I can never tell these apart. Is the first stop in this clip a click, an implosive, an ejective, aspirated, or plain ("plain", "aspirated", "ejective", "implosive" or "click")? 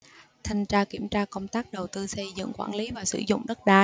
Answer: aspirated